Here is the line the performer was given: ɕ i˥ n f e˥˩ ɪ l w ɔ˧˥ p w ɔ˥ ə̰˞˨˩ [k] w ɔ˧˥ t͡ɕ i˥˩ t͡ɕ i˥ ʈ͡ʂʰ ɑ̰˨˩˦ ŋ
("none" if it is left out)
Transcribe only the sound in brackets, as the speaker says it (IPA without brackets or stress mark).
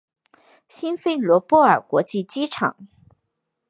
k